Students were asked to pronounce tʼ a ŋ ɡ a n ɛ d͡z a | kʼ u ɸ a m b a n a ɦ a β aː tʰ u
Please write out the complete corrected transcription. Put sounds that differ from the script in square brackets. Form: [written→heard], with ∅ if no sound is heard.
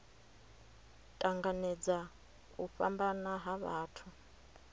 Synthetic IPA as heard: tʼ a ŋ ɡ a n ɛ d͡z a | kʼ u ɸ a m b a n a ɦ a β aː tʰ u